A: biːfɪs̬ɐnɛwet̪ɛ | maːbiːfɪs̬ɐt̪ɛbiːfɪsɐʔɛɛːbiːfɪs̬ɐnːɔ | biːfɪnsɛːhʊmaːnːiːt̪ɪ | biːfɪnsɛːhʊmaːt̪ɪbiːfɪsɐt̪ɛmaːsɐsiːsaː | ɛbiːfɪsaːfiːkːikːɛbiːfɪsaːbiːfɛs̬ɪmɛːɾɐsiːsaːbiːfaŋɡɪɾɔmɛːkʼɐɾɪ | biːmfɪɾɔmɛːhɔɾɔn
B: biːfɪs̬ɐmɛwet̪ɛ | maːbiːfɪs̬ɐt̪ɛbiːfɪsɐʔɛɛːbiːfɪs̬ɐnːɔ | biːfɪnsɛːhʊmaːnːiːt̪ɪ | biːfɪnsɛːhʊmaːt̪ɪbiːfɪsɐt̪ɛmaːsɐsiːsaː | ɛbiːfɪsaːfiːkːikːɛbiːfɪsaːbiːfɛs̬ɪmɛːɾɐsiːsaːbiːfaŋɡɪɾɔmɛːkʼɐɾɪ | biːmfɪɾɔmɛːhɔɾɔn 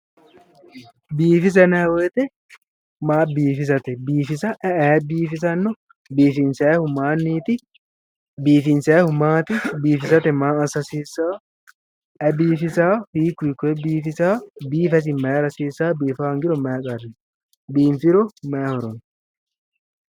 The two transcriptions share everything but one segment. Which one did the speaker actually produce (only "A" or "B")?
A